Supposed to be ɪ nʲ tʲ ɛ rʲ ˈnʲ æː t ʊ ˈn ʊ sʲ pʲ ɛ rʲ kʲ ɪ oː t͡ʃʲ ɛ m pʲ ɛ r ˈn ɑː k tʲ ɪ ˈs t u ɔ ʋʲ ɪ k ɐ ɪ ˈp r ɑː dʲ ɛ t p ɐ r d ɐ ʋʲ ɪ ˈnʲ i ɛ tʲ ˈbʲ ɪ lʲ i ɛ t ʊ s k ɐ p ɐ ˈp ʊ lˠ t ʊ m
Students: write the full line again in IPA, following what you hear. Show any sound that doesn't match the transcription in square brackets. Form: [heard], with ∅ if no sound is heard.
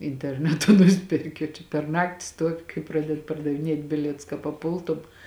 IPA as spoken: ɪ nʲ tʲ ɛ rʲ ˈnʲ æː t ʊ ˈn ʊ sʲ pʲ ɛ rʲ kʲ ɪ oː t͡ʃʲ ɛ [∅] pʲ ɛ r ˈn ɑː k tʲ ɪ ˈs t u ɔ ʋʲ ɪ k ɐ ɪ ˈp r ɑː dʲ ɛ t p ɐ r d ɐ ʋʲ ɪ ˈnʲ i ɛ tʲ ˈbʲ ɪ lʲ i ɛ t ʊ s k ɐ p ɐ ˈp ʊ lˠ t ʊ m